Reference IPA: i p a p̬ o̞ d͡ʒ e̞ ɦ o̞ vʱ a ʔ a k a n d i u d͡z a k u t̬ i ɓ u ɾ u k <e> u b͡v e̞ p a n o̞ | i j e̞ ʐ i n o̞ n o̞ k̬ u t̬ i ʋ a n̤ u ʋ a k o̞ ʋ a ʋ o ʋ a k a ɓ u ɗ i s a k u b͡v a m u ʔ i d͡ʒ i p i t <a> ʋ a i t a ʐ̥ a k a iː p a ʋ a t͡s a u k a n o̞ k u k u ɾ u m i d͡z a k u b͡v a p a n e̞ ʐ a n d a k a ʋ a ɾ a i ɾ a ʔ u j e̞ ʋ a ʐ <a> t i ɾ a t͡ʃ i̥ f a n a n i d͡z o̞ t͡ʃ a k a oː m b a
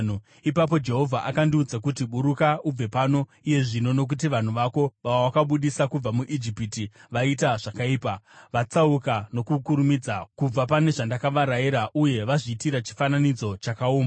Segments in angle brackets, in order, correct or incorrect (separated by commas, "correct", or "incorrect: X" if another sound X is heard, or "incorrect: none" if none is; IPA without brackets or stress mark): incorrect: a, incorrect: i, incorrect: i